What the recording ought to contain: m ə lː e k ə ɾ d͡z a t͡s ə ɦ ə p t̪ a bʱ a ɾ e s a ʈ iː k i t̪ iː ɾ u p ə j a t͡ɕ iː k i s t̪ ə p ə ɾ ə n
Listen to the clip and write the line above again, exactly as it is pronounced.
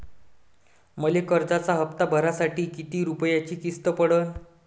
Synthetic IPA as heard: m ə l e k ə ɾ d͡z a t͡s a ɦ ə p t̪ a bʱ ə ɾ a s a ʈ iː k i t̪ iː ɾ u p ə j a t͡ɕ iː k i s t̪ ə p ə ɽ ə n